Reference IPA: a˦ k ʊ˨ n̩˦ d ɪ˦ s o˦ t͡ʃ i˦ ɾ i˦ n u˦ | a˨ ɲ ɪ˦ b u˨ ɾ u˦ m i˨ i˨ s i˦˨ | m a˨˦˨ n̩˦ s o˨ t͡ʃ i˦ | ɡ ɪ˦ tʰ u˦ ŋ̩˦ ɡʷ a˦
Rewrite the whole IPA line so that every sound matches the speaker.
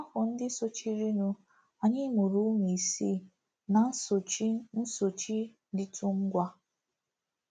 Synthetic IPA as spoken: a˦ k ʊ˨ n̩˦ d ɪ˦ s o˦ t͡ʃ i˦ ɾ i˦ n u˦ | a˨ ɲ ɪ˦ m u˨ ɾ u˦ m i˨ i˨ s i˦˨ | n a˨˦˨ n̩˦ s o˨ t͡ʃ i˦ | d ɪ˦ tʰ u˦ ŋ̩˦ ɡʷ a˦